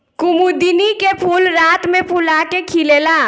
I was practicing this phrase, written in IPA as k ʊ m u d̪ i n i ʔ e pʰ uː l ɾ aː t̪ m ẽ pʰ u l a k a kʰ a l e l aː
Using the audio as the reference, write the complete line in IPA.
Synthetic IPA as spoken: k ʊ m u d̪ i n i k e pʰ uː l ɾ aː t̪ m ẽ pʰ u l a k e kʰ i l e l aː